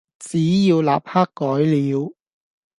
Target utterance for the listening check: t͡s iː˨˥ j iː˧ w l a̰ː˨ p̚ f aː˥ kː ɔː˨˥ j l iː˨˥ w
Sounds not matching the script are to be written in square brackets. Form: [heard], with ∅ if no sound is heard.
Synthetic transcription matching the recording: t͡s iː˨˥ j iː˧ w l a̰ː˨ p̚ [h] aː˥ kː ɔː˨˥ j l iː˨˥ w